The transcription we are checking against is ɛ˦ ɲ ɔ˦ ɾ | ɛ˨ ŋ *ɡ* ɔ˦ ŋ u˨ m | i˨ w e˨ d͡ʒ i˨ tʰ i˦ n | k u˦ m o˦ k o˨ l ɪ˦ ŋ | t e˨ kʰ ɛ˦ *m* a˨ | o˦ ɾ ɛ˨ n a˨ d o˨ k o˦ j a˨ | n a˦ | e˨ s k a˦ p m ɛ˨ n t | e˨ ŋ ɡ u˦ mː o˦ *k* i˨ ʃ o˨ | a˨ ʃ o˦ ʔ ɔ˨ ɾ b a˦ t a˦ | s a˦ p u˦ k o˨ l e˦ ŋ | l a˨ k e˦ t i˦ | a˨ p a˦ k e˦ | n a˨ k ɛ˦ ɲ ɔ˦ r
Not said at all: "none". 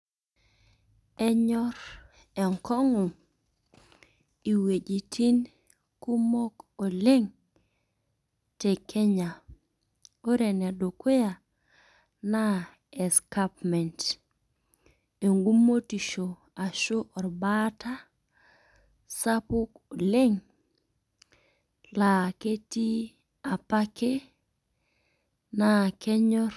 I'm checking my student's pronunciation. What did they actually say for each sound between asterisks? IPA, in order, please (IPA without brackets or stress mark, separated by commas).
k, ɲ, t